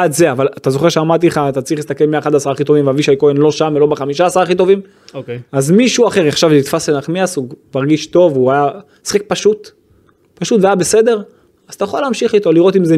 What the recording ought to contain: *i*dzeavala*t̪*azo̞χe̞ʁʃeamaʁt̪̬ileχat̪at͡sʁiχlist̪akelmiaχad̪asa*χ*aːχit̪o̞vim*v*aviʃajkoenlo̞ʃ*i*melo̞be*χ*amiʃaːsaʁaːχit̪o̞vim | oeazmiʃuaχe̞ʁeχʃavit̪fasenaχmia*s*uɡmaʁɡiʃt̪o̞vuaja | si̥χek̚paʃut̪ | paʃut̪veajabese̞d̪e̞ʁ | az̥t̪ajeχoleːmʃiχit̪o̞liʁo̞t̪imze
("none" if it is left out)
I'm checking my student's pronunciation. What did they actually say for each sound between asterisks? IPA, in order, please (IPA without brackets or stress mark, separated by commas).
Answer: a, t̪, ʁ, v, a, χ, s